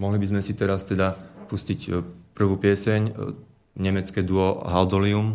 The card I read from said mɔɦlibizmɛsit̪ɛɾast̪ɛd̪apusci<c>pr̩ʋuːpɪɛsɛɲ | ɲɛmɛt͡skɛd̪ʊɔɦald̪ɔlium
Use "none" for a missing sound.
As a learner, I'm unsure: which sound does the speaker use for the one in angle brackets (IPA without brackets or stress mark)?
c